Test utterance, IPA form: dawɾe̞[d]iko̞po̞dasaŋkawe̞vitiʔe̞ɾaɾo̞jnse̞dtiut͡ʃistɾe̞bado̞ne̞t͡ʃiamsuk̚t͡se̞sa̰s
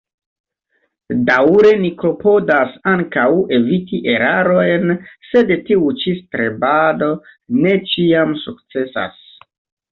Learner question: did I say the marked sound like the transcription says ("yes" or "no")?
no